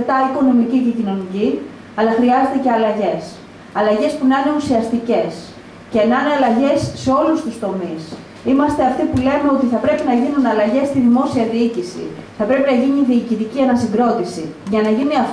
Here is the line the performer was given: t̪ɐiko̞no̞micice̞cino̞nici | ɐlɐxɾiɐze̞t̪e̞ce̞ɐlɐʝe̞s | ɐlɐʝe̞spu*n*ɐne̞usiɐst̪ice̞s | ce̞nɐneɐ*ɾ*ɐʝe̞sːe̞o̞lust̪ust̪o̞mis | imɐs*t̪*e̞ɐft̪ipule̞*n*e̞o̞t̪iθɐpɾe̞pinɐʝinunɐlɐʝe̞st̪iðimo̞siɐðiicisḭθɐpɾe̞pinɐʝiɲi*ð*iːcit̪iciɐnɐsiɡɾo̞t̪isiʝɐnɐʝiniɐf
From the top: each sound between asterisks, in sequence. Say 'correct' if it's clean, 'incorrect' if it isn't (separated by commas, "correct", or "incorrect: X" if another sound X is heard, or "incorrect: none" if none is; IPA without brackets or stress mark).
correct, incorrect: l, correct, incorrect: m, correct